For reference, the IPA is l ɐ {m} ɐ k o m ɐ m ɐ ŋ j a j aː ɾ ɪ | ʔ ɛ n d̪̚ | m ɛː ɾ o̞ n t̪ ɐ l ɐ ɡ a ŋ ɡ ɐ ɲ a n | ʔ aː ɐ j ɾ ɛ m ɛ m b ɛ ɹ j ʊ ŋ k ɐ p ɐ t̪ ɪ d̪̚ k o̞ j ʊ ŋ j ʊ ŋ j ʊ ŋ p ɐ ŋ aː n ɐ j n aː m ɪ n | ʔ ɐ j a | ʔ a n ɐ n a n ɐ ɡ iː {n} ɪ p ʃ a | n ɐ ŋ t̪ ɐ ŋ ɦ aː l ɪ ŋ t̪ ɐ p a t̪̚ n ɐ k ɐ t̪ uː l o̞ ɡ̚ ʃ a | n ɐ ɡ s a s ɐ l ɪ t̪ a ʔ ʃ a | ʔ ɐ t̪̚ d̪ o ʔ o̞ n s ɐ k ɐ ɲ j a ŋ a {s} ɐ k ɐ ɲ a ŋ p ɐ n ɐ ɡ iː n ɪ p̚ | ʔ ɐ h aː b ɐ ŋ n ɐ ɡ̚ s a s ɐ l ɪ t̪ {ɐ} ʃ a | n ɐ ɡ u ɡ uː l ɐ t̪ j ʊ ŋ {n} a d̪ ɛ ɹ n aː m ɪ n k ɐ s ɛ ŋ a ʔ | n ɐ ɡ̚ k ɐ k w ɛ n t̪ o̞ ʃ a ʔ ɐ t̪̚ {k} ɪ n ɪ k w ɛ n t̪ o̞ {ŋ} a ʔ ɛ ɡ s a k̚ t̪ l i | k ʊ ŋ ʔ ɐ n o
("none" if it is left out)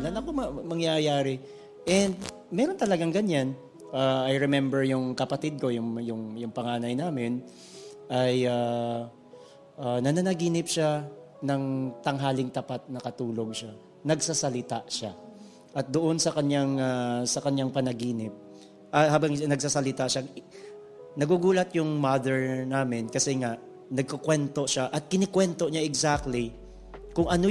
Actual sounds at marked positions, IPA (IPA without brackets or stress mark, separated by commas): n, n, s, a, m, k, ɲ